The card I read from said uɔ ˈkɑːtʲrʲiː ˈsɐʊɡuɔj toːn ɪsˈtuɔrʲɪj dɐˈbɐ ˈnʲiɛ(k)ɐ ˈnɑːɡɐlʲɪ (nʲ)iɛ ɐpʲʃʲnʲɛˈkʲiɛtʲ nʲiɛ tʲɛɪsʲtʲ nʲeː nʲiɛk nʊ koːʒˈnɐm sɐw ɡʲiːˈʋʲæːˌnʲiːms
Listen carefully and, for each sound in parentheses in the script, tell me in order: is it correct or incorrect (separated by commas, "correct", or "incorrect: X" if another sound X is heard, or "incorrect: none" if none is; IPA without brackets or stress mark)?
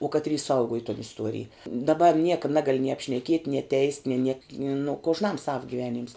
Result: correct, correct